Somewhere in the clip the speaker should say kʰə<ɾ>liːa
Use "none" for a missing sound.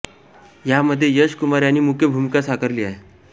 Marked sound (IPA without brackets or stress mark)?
ɾ